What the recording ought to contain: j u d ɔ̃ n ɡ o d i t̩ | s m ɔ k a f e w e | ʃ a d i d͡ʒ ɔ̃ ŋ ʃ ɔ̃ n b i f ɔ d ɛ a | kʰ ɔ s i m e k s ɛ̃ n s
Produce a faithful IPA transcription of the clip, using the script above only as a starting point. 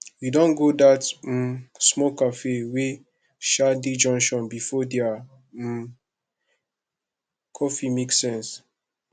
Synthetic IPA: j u d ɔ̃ n ɡ o d a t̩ | s m ɔ k a f e w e | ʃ a d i d͡ʒ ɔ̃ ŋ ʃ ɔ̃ n b i f ɔ d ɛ a | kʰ ɔ f i m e k s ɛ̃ n s